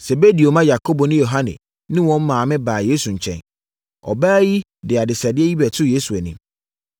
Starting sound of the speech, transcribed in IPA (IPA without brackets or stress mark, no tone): s